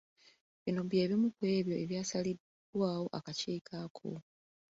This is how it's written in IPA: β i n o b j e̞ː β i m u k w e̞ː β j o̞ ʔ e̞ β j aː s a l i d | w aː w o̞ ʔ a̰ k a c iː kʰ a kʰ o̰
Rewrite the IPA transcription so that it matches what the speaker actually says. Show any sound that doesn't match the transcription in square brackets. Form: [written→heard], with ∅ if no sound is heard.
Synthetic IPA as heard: β i n o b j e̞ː β i m u k w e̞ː β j o̞ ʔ e̞ β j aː s a l i d | w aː w o̞ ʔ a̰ k a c iː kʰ a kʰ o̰